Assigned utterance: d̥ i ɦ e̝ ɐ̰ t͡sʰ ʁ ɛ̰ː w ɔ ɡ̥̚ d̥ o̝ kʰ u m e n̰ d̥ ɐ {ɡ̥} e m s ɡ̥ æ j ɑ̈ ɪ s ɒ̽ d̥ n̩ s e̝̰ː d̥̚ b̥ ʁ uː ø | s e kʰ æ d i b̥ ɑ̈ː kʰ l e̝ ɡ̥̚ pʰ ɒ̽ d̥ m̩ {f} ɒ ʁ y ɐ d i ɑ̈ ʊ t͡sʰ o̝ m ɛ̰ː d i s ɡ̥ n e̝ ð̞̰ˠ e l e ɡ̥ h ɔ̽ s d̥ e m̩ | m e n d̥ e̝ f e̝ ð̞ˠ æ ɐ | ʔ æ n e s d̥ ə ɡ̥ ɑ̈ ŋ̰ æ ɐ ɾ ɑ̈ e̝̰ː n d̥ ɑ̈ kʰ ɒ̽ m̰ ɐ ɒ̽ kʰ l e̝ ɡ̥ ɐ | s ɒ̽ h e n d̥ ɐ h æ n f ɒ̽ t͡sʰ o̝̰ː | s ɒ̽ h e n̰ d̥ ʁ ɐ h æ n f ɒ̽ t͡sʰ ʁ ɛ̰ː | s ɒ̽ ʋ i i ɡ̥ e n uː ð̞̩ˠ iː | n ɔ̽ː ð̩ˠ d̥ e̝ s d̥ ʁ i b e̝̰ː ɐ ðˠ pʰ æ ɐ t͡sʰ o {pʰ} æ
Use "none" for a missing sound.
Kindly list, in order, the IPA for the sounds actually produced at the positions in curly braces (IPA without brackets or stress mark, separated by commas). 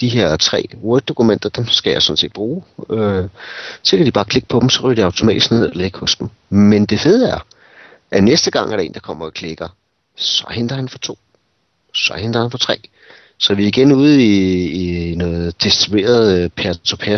d̥, s, pʰ